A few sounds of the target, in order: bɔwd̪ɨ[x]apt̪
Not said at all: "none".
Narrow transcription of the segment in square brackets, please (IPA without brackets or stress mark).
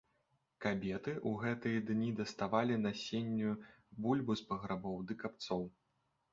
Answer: k